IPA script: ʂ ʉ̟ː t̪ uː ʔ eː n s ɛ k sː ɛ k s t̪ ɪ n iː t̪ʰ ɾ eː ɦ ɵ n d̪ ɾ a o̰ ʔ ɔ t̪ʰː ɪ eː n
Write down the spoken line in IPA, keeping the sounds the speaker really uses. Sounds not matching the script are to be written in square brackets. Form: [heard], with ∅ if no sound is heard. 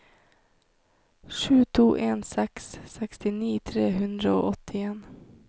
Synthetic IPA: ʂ ʉ̟ː [t̪ʰ] uː ʔ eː n s ɛ k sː ɛ k s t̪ ɪ n iː t̪ʰ ɾ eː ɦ ɵ n d̪ ɾ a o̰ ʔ ɔ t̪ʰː ɪ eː n